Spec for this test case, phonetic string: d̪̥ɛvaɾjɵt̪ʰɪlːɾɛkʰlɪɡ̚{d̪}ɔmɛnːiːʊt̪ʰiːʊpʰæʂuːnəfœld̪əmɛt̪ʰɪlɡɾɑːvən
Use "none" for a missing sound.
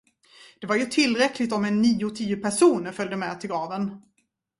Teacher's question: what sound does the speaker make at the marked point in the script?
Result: t̪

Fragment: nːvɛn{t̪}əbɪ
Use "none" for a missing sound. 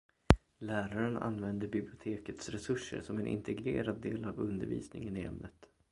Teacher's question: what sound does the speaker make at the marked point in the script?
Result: d̪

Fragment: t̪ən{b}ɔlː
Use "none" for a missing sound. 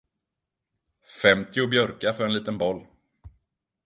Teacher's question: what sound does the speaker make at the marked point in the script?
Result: b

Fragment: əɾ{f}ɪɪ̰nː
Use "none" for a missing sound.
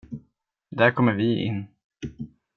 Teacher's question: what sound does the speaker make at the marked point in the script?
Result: v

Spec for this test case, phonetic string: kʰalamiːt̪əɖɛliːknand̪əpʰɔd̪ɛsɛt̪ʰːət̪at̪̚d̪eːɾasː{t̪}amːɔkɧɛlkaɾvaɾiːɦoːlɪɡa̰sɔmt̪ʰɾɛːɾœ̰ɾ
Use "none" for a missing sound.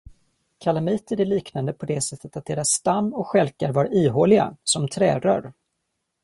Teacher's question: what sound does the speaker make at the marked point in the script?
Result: t̪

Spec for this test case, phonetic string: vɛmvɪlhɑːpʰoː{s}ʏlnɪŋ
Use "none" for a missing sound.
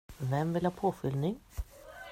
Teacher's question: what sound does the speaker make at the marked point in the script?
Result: f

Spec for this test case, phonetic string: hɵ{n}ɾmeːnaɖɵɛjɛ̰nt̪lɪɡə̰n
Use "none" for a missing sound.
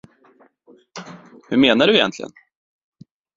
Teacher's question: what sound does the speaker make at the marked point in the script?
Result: none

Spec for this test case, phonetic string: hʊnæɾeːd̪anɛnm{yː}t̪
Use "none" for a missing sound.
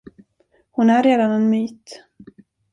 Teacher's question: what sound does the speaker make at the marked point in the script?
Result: yː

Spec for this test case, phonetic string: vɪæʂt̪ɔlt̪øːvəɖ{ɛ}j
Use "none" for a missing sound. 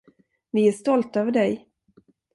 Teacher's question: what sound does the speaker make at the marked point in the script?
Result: ɛ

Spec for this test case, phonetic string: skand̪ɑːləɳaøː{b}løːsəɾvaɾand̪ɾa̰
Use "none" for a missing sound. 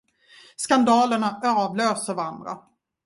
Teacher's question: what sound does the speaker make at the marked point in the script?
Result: v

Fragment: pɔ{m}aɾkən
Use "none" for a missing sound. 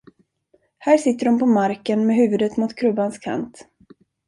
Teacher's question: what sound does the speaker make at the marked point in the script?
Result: m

